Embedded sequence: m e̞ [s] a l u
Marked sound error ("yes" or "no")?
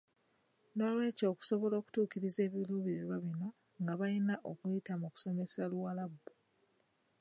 no